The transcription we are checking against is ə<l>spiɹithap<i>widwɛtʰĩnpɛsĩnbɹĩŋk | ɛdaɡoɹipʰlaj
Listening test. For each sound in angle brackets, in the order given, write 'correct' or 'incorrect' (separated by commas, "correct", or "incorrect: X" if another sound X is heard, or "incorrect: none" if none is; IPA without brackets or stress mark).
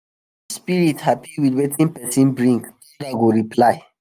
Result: incorrect: none, correct